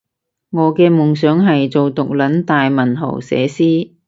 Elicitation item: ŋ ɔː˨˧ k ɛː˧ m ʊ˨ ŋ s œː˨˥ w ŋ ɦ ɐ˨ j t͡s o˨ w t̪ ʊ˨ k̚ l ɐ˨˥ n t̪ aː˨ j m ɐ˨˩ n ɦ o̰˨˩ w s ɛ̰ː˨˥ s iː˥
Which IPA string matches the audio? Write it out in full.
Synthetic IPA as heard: ŋ ɔː˨˧ k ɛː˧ m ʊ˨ ŋ s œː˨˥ ŋ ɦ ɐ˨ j t͡s o˨ w t̪ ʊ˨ k̚ l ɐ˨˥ n t̪ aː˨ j m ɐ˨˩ n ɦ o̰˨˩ w s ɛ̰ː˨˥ s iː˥